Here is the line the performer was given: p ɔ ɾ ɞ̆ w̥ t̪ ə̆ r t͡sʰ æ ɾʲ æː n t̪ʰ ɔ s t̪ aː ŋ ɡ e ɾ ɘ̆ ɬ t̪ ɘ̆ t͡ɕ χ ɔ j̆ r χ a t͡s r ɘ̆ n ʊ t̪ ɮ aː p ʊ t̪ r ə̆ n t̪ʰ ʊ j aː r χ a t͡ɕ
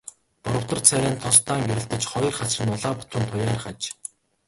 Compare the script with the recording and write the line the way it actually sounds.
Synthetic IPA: p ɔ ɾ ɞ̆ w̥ t̪ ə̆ r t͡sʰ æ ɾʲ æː n t̪ʰ ɔ s t̪ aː ŋ ɡ e ɾ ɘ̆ ɬ t̪ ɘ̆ t͡ɕ χ ɔ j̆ r χ a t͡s r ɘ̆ n ʊ ɮ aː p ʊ t̪ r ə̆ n t̪ʰ ʊ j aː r χ a t͡ɕ